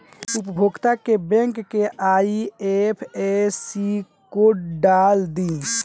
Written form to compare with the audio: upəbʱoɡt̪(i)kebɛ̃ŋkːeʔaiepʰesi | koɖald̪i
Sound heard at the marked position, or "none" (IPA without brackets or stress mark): a